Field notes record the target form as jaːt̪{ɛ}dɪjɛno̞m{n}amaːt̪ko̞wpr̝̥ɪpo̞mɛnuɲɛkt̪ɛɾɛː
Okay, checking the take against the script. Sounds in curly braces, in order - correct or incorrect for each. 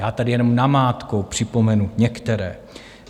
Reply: incorrect: a, correct

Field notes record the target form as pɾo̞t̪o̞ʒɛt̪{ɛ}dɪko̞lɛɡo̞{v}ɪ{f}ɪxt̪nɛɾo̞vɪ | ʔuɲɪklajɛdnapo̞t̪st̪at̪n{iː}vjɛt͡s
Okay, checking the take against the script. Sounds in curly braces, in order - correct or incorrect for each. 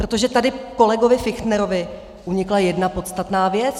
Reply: incorrect: a, correct, correct, incorrect: aː

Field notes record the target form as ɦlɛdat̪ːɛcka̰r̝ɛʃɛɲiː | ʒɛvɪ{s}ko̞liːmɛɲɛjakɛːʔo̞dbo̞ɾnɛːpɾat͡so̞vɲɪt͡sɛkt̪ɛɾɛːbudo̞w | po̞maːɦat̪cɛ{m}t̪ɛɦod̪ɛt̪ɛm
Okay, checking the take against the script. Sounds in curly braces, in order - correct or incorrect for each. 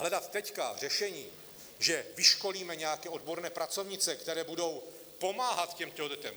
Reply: incorrect: ʃ, correct

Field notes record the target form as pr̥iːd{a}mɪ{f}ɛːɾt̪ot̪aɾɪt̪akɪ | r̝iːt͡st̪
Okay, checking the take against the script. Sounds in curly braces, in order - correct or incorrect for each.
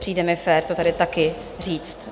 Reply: incorrect: ɛ, correct

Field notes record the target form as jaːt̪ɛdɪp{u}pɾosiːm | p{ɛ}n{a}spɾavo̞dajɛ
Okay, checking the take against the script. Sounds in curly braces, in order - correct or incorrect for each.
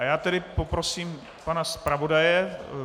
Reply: incorrect: o, incorrect: a, correct

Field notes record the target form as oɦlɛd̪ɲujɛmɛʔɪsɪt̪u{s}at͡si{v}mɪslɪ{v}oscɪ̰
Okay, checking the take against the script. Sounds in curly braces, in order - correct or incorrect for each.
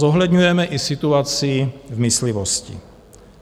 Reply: incorrect: none, correct, correct

